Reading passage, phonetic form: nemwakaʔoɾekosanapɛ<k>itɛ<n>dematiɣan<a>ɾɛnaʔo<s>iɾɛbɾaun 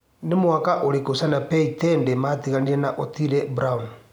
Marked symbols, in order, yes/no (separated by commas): no, yes, no, no